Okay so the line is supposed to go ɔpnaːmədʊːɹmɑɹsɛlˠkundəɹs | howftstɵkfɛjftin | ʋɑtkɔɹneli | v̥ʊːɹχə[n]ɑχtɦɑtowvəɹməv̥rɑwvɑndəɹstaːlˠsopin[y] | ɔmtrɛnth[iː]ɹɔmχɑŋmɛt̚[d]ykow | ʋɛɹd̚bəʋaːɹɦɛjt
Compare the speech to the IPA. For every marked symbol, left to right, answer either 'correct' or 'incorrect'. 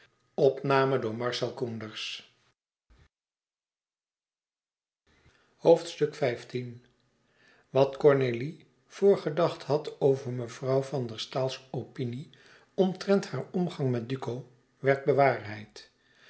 incorrect, incorrect, incorrect, correct

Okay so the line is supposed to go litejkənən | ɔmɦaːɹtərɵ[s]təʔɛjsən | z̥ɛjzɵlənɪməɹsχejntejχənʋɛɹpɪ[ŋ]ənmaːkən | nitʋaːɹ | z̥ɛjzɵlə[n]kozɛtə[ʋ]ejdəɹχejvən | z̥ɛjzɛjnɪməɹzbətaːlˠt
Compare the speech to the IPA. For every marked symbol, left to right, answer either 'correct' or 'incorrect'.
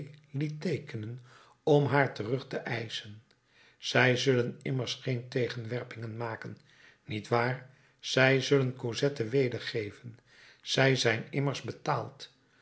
incorrect, correct, correct, correct

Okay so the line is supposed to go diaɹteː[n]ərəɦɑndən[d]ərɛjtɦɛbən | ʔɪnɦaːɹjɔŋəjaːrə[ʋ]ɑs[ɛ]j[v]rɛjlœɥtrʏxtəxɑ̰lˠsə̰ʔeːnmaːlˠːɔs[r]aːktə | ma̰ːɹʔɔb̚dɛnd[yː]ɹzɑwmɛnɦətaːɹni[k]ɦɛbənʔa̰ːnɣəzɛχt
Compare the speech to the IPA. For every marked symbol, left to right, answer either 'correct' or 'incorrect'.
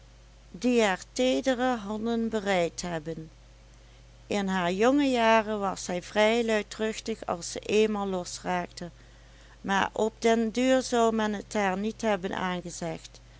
incorrect, incorrect, correct, correct, correct, correct, correct, incorrect

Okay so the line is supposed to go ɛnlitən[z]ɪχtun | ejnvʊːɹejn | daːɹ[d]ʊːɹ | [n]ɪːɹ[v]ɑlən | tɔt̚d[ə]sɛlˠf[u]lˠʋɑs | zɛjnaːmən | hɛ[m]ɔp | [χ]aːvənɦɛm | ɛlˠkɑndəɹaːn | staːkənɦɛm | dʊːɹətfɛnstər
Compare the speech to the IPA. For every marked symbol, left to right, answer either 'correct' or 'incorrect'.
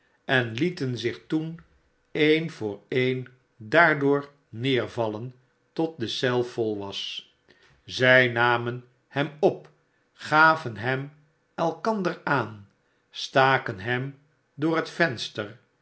correct, correct, correct, correct, correct, incorrect, correct, correct

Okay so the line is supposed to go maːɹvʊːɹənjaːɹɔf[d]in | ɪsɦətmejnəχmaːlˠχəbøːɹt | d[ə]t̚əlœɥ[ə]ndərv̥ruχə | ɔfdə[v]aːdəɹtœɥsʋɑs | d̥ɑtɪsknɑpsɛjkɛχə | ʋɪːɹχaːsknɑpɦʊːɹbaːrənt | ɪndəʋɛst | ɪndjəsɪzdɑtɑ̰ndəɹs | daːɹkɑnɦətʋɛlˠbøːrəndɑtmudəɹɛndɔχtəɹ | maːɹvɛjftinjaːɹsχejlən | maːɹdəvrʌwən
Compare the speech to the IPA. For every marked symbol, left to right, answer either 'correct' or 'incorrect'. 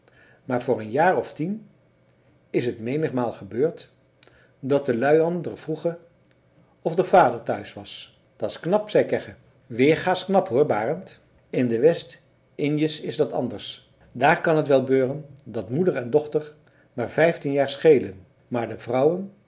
incorrect, incorrect, incorrect, correct

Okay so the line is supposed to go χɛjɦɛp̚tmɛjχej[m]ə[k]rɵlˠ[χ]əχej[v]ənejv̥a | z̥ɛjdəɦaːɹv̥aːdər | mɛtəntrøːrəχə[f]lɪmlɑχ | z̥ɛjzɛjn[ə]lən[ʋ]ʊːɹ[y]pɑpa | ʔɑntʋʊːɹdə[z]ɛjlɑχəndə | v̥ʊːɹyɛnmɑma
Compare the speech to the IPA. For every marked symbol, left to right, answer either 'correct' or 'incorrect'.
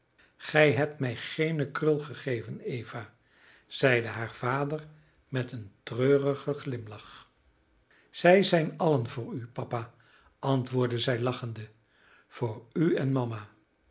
incorrect, correct, correct, correct, incorrect, incorrect, incorrect, correct, correct

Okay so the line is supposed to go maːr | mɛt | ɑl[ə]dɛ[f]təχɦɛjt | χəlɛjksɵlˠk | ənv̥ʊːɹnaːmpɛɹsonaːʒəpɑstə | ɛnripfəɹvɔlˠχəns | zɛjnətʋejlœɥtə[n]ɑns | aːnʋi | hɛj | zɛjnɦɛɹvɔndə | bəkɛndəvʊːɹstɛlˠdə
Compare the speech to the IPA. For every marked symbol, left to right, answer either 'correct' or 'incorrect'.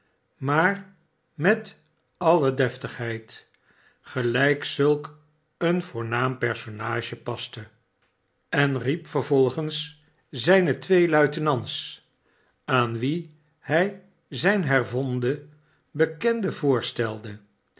correct, correct, correct

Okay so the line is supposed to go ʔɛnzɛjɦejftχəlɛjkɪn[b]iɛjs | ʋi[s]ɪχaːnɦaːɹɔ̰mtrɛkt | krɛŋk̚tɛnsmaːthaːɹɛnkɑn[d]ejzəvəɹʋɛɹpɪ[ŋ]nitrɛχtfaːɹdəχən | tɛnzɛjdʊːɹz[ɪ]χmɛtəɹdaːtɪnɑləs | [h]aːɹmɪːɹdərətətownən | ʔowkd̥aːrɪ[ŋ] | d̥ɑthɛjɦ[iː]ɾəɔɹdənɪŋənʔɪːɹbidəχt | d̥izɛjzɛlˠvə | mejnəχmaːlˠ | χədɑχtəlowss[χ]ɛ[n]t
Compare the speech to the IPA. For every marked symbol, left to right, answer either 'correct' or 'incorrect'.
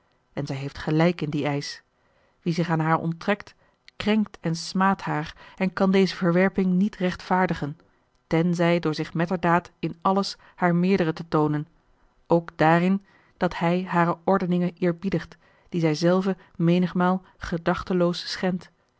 incorrect, incorrect, correct, correct, correct, correct, incorrect, incorrect, correct, correct

